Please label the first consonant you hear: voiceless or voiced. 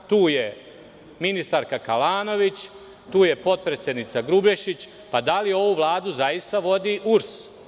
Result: voiceless